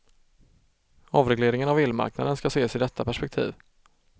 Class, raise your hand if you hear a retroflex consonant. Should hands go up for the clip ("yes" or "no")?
yes